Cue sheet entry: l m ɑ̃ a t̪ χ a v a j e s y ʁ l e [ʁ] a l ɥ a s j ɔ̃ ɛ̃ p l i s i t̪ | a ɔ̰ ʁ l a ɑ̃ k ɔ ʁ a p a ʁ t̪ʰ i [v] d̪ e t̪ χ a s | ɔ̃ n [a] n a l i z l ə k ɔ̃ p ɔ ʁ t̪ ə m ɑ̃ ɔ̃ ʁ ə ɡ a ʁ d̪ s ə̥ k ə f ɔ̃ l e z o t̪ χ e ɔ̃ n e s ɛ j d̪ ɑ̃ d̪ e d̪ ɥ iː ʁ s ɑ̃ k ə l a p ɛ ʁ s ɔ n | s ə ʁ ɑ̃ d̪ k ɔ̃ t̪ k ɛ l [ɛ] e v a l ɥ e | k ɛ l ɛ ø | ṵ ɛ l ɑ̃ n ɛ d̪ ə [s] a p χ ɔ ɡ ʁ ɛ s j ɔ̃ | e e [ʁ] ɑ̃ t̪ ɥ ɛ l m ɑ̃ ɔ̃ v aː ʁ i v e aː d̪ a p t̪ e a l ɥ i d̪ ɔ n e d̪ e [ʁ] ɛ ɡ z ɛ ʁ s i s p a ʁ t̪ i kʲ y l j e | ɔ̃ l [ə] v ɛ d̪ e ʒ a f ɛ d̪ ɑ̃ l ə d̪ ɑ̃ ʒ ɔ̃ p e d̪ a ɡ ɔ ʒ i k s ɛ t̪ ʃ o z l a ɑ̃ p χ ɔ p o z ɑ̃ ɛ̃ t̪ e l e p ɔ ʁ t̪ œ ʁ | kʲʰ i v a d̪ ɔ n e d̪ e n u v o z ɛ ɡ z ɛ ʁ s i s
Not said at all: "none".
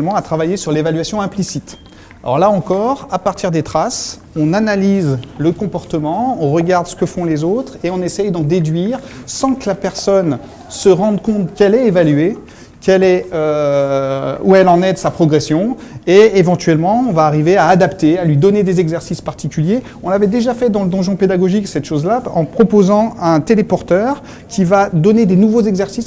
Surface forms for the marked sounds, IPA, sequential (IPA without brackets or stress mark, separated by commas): v, ʁ, a, ɛ, s, v, z, a